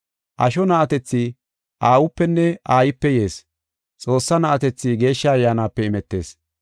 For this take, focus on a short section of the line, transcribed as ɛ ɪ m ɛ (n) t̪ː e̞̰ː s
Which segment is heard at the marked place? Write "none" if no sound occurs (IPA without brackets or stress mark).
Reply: none